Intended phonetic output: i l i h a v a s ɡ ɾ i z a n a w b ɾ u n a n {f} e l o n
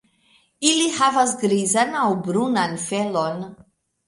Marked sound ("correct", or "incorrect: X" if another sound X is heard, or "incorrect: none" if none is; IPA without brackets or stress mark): correct